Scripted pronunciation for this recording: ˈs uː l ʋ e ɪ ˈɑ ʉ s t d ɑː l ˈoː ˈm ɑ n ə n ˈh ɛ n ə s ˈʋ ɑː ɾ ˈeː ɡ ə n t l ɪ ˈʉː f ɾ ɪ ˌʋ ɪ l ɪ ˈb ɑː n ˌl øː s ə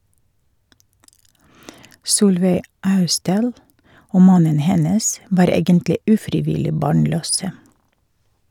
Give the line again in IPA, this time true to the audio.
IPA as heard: ˈs uː l ʋ e ɪ ˈɑ ʉ s t d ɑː l ˈoː ˈm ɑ n ə n ˈh ɛ n ə s ˈʋ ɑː ɾ ˈeː ɡ ə n t l ɪ ˈʉː f ɾ ɪ ˌʋ ɪ l ɪ ˈb ɑː ɳ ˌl øː s ə